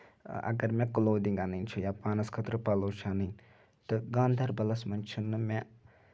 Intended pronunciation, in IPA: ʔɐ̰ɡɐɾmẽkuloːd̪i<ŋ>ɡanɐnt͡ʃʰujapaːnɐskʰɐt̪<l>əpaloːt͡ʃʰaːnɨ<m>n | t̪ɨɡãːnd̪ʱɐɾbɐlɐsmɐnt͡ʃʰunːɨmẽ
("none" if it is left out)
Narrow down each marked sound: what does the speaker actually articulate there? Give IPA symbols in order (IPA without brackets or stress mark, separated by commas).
ŋ, ɾ, none